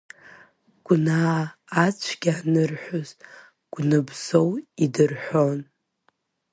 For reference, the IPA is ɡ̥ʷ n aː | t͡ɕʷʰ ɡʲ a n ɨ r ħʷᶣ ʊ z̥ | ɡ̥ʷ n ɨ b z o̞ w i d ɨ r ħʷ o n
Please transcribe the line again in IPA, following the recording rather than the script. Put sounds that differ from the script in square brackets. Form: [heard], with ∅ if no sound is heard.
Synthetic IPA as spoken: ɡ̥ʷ n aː | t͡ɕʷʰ ɡʲ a n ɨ r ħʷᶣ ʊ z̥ | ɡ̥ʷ n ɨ b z o̞ w i d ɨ r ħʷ o n